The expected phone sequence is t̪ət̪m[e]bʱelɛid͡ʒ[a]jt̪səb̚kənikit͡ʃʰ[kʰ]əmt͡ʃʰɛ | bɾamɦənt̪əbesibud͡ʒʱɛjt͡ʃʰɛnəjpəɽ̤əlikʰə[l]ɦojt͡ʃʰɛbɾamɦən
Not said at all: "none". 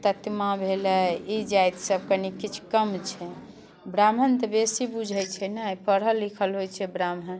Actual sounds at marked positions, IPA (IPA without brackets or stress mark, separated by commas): a, a, k, l